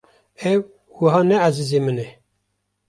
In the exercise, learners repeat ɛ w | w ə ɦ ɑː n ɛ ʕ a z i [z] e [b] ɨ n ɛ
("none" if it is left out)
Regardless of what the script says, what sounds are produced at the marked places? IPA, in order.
z, m

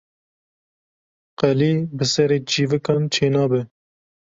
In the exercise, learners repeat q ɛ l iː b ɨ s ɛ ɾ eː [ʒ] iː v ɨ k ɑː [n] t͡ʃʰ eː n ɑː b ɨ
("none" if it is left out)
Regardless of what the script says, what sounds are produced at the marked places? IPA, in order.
d͡ʒ, n

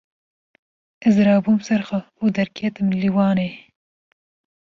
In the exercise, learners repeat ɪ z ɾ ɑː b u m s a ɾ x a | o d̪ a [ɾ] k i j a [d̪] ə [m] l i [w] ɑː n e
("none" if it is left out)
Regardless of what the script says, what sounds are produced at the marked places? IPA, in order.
ɾ, t̪, m, w

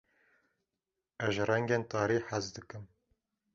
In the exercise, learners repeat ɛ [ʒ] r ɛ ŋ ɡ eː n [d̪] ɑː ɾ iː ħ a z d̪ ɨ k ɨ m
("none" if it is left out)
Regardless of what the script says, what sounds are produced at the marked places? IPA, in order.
ʒ, t̪

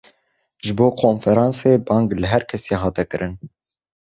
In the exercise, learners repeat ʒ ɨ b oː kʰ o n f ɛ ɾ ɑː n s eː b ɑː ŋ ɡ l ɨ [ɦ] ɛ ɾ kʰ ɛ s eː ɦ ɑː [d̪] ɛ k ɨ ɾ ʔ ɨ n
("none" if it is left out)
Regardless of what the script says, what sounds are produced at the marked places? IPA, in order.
ɦ, t̪

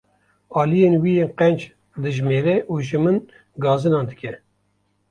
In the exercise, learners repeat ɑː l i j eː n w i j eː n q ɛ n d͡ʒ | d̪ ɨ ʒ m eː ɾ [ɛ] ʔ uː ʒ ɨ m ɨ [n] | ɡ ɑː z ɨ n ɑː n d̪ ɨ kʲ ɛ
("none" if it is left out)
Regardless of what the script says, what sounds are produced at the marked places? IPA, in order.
ɛ, n

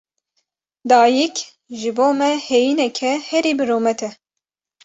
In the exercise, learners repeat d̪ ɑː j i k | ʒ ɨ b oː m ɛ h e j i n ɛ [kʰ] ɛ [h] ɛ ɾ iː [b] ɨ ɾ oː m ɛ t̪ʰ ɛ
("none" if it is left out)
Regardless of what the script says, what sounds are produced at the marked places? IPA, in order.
kʰ, h, b

